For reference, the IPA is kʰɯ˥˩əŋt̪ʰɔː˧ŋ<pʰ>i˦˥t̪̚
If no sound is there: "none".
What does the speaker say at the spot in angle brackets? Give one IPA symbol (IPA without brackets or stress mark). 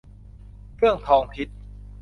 pʰ